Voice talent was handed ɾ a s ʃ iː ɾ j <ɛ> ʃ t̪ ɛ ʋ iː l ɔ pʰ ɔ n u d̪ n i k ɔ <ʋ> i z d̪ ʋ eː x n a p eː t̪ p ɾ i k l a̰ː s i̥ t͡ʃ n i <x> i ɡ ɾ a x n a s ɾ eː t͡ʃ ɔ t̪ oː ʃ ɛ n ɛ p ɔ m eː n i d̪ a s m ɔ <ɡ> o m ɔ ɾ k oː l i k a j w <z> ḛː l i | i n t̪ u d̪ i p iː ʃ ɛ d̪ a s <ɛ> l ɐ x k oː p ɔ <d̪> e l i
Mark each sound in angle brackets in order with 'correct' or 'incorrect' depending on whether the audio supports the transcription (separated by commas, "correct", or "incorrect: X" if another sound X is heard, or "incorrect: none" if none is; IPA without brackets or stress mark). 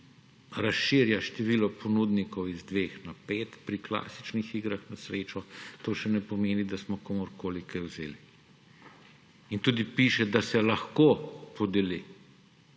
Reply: incorrect: a, incorrect: w, correct, incorrect: k, correct, correct, correct